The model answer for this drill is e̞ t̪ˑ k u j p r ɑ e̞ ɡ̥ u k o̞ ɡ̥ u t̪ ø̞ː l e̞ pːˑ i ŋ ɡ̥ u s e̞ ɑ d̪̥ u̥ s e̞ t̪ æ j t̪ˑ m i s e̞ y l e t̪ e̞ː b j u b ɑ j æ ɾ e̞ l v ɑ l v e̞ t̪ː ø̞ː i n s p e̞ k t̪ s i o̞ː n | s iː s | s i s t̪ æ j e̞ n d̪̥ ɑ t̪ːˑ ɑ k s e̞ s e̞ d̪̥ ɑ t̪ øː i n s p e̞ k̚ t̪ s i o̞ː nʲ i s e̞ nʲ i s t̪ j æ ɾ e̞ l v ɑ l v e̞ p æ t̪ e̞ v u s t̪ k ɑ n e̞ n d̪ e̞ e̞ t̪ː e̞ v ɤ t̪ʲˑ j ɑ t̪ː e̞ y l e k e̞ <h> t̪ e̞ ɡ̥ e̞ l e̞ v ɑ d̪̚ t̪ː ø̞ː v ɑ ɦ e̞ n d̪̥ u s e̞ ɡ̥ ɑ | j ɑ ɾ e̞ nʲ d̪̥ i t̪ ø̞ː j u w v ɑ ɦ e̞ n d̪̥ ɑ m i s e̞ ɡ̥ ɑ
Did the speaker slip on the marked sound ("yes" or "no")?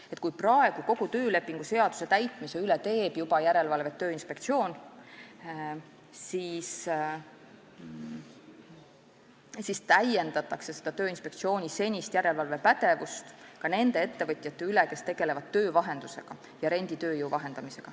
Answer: yes